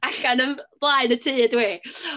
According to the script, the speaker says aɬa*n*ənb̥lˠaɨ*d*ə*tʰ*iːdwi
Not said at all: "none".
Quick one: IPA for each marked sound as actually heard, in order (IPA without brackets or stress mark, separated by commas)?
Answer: n, n, tʰ